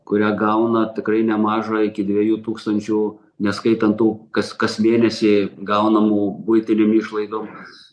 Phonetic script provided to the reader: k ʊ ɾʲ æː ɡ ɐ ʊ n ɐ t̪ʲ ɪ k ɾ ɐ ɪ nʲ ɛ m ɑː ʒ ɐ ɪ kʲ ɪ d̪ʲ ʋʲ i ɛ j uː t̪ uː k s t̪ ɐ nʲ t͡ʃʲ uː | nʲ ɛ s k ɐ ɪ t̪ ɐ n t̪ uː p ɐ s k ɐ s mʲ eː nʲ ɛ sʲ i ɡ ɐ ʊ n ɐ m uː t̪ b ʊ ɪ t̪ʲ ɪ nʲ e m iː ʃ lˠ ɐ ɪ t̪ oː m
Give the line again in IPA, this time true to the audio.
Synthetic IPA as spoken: k ʊ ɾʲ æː ɡ ɐ ʊ n ɐ t̪ʲ ɪ k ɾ ɐ ɪ nʲ ɛ m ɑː ʒ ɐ ɪ kʲ ɪ d̪ʲ ʋʲ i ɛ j uː t̪ uː k s t̪ ɐ nʲ t͡ʃʲ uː | nʲ ɛ s k ɐ ɪ t̪ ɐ n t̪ uː k ɐ s k ɐ s mʲ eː nʲ ɛ sʲ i ɡ ɐ ʊ n ɐ m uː b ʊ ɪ t̪ʲ ɪ nʲ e m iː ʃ lˠ ɐ ɪ d̪ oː m